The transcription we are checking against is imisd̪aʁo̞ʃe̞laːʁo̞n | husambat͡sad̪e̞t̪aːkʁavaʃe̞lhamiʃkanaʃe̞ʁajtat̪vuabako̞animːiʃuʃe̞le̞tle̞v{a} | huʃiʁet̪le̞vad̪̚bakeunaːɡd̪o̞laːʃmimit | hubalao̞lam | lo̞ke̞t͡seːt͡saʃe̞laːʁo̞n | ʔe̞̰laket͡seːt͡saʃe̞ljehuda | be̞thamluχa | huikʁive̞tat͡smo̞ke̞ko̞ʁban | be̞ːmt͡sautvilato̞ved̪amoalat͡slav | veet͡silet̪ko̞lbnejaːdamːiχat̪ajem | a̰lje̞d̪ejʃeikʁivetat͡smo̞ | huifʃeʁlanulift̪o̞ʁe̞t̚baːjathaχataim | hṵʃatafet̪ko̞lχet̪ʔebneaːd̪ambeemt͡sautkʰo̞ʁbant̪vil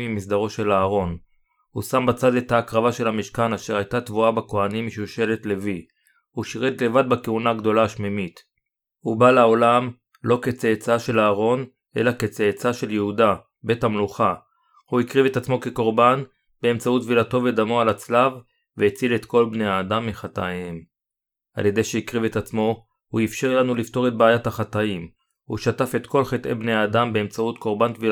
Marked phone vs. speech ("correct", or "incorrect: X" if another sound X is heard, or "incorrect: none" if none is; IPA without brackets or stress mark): incorrect: i